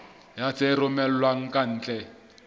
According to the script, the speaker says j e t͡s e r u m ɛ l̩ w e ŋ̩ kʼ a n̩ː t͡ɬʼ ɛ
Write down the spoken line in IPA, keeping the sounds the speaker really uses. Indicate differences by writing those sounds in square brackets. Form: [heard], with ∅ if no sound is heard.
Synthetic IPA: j [a] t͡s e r [ʊ] m ɛ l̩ w [a] ŋ̩ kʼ a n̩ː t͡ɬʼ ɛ